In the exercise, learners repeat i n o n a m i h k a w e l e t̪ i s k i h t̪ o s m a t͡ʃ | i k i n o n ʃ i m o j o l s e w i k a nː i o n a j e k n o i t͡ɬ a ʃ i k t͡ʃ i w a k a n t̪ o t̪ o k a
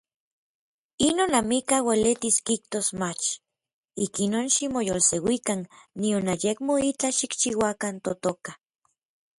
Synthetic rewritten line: i n o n a m i k a w e l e t̪ i s k i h t̪ o s m a t͡ʃ | i k i n o n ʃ i m o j o l s e w i k a nː i o n a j e k m o i t͡ɬ a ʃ i k t͡ʃ i w a k a n t̪ o t̪ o k a